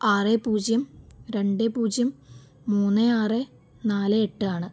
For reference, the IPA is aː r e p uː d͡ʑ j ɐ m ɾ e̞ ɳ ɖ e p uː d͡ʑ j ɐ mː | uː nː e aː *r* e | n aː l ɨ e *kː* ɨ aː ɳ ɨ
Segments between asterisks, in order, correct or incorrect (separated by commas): correct, incorrect